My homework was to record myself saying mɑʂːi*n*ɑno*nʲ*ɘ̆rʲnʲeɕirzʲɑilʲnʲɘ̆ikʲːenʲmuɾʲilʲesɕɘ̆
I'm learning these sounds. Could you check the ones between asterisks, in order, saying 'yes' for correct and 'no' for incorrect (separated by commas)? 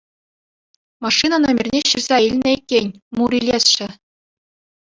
yes, no